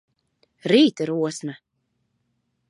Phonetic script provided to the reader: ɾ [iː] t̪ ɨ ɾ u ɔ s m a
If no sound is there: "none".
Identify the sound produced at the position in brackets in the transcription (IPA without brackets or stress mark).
iː